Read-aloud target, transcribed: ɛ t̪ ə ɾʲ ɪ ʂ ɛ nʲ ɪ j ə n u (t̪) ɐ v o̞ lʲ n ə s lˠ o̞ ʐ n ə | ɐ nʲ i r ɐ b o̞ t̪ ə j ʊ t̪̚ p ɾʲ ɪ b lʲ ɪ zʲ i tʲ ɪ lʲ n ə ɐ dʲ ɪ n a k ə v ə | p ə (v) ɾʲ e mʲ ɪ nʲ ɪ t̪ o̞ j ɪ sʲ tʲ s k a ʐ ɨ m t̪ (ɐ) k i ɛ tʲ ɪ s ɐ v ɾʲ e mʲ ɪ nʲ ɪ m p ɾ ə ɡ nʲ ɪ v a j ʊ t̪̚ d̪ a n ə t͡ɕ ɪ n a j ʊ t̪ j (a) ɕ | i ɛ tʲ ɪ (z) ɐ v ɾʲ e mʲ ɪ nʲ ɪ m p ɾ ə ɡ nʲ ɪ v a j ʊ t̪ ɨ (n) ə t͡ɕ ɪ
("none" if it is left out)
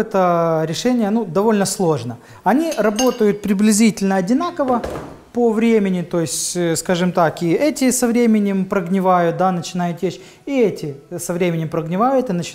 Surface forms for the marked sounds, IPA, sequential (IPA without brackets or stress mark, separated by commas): d̪, v, a, e, s, n